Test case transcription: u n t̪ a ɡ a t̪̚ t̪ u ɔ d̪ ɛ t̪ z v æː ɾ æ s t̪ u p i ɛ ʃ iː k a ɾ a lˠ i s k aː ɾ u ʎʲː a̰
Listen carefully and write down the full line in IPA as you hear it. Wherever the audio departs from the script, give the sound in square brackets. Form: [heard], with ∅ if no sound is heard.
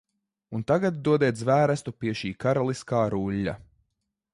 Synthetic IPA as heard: u n t̪ a ɡ a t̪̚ [d̪] u ɔ d̪ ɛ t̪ z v æː ɾ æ s t̪ u p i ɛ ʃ iː k a ɾ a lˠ i s k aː ɾ u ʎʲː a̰